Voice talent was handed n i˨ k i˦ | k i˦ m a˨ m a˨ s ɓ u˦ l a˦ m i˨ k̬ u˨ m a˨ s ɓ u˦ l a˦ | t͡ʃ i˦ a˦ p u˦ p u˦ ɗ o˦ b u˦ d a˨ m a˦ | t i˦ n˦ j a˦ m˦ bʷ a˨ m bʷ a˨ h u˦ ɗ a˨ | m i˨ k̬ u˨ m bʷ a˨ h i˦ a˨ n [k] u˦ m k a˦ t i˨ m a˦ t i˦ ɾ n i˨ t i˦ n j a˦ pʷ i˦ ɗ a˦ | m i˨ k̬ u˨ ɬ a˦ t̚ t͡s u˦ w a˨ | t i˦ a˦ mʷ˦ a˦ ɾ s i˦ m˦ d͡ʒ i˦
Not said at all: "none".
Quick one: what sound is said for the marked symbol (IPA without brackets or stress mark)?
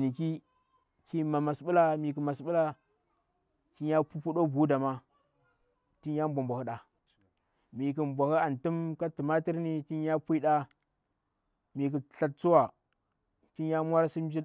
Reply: t